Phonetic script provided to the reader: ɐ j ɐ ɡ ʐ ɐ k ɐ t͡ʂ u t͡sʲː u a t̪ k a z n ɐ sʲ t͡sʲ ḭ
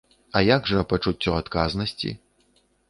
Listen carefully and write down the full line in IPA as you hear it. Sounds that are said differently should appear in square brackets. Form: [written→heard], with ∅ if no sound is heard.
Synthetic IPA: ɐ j [ɐ→a] ɡ ʐ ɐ [k→p] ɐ t͡ʂ u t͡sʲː [u→ɔ] a t̪ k a z n ɐ sʲ t͡sʲ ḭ